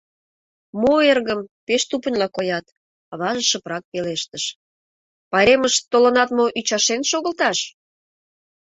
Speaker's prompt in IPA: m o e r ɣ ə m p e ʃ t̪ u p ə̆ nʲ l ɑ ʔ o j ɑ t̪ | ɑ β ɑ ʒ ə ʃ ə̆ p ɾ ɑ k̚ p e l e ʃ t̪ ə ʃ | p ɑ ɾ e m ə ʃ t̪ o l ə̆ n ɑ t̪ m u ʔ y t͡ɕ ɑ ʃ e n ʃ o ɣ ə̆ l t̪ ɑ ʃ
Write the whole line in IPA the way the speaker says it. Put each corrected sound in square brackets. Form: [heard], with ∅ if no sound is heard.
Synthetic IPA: m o e r ɣ ə m p e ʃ t̪ u p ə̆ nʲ l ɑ [k] o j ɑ t̪ | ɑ β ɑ ʒ ə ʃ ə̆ p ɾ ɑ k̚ p e l e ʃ t̪ ə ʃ | p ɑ ɾ e m ə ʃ t̪ o l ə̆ n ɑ t̪ m [o] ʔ y t͡ɕ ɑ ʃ e n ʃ o ɣ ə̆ l t̪ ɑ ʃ